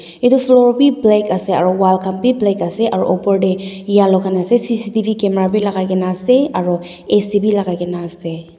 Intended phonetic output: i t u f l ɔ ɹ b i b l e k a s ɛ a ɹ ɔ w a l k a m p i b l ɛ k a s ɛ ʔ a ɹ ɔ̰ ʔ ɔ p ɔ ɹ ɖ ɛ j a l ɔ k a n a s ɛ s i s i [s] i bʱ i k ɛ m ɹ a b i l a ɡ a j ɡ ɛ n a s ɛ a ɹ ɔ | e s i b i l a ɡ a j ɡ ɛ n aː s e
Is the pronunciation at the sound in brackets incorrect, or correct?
incorrect